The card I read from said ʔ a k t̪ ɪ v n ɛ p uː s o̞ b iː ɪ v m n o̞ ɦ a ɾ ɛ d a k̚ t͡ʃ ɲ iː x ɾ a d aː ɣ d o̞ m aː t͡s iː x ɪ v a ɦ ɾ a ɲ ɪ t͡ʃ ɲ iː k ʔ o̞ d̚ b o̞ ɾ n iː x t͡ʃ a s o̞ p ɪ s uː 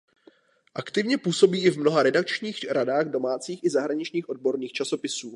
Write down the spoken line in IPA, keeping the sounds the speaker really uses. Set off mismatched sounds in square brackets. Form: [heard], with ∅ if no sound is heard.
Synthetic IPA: ʔ a k t̪ ɪ v [ɲ] ɛ p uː s o̞ b iː ɪ v m n o̞ ɦ a ɾ ɛ d a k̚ t͡ʃ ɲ iː x ɾ a d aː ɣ d o̞ m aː t͡s iː x ɪ [z] a ɦ ɾ a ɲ ɪ t͡ʃ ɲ iː [x] ʔ o̞ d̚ b o̞ ɾ n iː x t͡ʃ a s o̞ p ɪ s uː